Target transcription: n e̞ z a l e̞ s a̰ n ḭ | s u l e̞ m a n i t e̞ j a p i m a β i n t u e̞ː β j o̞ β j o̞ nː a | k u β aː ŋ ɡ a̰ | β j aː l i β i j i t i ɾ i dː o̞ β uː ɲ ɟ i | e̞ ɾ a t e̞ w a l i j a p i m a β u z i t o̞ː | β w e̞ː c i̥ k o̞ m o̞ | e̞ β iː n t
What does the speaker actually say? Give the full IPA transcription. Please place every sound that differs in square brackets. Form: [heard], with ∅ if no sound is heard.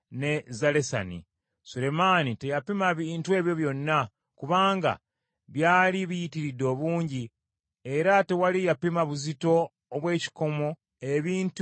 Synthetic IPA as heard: n e̞ z a l e̞ s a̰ n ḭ | s u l e̞ m a n i t e̞ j a p i m a β i n t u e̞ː β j o̞ β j o̞ nː a | k u β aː ŋ ɡ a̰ | β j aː l i β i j i t i ɾ i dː o̞ β uː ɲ ɟ i | e̞ ɾ a t e̞ w a l i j a p i m a β u z i t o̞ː | β w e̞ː c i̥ k o̞ m o̞ | e̞ β iː n t

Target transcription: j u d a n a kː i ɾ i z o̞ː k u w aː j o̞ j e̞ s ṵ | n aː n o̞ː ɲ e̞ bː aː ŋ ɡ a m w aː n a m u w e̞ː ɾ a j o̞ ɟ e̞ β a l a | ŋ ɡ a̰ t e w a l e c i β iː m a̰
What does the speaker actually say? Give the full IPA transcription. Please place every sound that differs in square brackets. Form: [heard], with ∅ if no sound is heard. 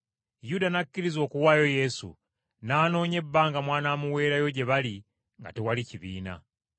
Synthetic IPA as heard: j u d a n a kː i ɾ i z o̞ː k u w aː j o̞ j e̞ s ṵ | n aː n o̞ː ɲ e̞ bː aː ŋ ɡ a m w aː n a m u w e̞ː ɾ a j o̞ ɟ e̞ β a l [i] | ŋ ɡ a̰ t e w a l [i] c i β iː [n] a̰

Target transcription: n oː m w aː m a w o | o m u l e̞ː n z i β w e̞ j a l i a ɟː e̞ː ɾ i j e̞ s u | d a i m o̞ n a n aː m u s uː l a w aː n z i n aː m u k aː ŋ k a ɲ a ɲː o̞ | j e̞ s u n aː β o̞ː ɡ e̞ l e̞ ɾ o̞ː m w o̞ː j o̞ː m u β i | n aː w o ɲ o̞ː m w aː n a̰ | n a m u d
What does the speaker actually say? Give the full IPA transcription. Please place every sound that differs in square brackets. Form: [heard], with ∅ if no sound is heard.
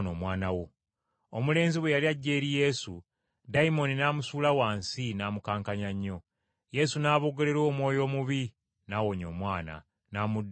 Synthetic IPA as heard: n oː m w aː [n] a w o | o m u l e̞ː n z i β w e̞ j a l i a ɟː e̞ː ɾ i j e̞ s u | d a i m o̞ n [i] n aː m u s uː l a w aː n [s] i n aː m u k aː ŋ k a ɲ a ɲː o̞ | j e̞ s u n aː β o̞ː ɡ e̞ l e̞ ɾ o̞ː m w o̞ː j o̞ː m u β i | n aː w o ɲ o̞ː m w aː n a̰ | n a m u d

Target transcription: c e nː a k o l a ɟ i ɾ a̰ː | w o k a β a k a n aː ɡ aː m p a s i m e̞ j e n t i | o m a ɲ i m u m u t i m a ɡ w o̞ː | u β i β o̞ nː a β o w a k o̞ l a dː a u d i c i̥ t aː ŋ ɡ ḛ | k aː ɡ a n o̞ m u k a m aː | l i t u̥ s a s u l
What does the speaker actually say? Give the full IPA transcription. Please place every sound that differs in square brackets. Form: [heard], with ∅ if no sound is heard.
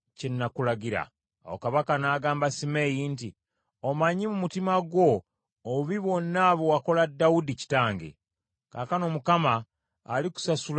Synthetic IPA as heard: c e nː a k [u] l a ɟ i ɾ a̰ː | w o k a β a k a n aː ɡ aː m [b] a s i m e̞ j [i] n t i | o m a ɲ i m u m u t i m a ɡ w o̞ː | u β i β o̞ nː a β o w a k o̞ l a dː a u d i c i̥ t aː ŋ ɡ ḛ | k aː [k] a n o̞ m u k a m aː | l i [k] u̥ s a s u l

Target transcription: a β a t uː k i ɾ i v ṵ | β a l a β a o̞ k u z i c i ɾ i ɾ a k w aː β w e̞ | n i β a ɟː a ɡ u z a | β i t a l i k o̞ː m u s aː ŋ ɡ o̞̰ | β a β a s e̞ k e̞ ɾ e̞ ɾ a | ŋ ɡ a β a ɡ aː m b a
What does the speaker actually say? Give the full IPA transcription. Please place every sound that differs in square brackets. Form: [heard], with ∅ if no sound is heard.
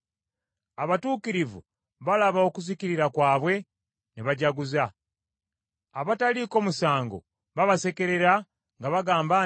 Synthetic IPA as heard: a β a t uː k i ɾ i v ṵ | β a l a β a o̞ k u z i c i ɾ i ɾ a k w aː β w e̞ | n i β a [ɟ] a ɡ u z a | β [a] t a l i k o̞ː m u s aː ŋ ɡ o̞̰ | β a β a s e̞ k e̞ ɾ e̞ ɾ a | ŋ ɡ a β a ɡ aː m b a

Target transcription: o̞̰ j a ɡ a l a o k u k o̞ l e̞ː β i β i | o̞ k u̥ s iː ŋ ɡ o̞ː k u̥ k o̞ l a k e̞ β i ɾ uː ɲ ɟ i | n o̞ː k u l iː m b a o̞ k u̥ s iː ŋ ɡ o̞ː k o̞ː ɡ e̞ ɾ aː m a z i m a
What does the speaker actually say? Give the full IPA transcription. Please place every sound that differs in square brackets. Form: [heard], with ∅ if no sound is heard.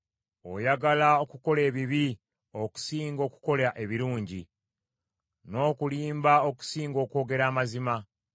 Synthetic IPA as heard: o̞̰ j a ɡ a l a o k u k o̞ l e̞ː β i β i | o̞ k u̥ s iː ŋ ɡ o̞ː k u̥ k o̞ l a [ʔ] e̞ β i ɾ uː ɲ ɟ i | n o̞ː k u l iː m b a o̞ k u̥ s iː ŋ ɡ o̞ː k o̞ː ɡ e̞ ɾ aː m a z i m a

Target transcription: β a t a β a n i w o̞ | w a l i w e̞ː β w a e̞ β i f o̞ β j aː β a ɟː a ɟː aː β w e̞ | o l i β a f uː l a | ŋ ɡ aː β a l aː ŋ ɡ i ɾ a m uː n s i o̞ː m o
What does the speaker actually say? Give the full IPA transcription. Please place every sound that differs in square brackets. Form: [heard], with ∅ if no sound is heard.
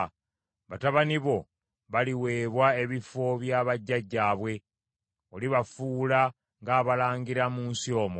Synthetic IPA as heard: β a t a β a n i [β] o̞ | [β] a l i w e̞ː β w a e̞ β i f o̞ β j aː β a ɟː a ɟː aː β w e̞ | o l i β a f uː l a | ŋ ɡ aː β a l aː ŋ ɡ i ɾ a m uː n s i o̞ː m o

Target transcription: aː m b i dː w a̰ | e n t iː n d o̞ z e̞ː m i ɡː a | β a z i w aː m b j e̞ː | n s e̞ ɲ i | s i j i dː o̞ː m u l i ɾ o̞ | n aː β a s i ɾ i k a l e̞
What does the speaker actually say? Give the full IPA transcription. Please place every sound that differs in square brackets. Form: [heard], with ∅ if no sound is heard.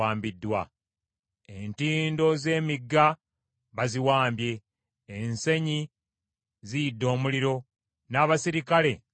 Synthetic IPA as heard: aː m b i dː w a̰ | e n t iː n d o̞ z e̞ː m i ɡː a | β a z i w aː m b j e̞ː | n s e̞ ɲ i | [z] i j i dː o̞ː m u l i ɾ o̞ | n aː β a s i ɾ i k a l e̞

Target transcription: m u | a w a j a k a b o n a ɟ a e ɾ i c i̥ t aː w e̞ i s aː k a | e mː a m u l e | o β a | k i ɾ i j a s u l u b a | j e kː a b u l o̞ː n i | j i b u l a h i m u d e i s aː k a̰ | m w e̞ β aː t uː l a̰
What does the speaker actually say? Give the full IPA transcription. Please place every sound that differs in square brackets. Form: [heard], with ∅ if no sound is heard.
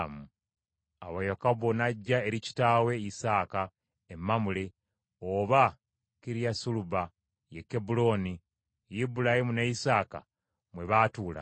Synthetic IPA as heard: m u | a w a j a k a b o n a [ɟː] a e ɾ i c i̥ t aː w e̞ i s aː k a | e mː a m u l e | o β a | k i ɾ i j a s u l u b a | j e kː [e] b u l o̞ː n i | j i b u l a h i m u [n] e i s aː k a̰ | m w e̞ β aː t uː l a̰

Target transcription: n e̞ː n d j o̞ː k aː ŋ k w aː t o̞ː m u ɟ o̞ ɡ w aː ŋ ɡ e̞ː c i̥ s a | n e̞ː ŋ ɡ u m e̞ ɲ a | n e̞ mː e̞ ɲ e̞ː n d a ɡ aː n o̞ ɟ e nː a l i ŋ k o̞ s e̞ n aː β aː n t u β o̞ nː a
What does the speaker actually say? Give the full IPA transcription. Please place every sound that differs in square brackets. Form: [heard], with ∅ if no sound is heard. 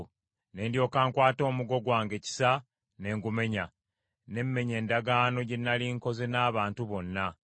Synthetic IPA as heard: n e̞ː n d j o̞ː k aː ŋ k w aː t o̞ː m u [ɡ] o̞ ɡ w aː ŋ ɡ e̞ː c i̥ s a | n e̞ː ŋ ɡ u m e̞ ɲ a | n e̞ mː e̞ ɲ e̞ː n d a ɡ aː n o̞ ɟ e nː a l i ŋ k o̞ [z] e̞ n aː β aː n t u β o̞ nː a

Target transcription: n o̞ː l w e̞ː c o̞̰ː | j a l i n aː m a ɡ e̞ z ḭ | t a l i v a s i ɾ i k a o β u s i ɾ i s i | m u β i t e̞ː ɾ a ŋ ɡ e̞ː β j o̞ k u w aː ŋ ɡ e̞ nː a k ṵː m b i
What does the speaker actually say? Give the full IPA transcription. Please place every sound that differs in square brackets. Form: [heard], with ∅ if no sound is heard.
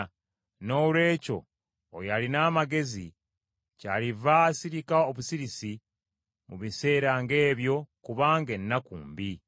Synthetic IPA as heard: n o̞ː l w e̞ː c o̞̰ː | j a l i n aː m a ɡ e̞ z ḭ | [c] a l i v a s i ɾ i k a o β u s i ɾ i s i | m u β i [s] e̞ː ɾ a ŋ ɡ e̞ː β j o̞ k u [β] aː ŋ ɡ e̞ nː a k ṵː m b i

